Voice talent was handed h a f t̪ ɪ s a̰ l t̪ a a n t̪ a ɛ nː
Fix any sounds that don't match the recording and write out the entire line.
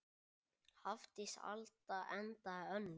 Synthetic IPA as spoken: h a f t̪ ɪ s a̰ l t̪ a ɛ n t̪ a œ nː